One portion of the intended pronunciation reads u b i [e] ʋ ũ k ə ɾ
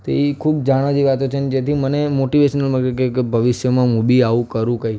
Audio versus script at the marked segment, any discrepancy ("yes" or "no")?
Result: yes